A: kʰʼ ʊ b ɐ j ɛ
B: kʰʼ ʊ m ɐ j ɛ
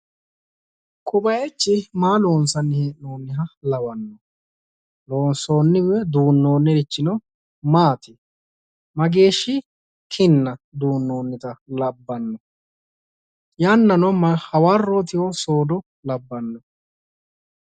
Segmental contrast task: A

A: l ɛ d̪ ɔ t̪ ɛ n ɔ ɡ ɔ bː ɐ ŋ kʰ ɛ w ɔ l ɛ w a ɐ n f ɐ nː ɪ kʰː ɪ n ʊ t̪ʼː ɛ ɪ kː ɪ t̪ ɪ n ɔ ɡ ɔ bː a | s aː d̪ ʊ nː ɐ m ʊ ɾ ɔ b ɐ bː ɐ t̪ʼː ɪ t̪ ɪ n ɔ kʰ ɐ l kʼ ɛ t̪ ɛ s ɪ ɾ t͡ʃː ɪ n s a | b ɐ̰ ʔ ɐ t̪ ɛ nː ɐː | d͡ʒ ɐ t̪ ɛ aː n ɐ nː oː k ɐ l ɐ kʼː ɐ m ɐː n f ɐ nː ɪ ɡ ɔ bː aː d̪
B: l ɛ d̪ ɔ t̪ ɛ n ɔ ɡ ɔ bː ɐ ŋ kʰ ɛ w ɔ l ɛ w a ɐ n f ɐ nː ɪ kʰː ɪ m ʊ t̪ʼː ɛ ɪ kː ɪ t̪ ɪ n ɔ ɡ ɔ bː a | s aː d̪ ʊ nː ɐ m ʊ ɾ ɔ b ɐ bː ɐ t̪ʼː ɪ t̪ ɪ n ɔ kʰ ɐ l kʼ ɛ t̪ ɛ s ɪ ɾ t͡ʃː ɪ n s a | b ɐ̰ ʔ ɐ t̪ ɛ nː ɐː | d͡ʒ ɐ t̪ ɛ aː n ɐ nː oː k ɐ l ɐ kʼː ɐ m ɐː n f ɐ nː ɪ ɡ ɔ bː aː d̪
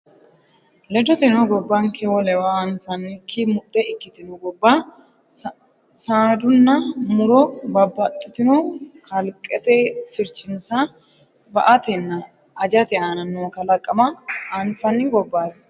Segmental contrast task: B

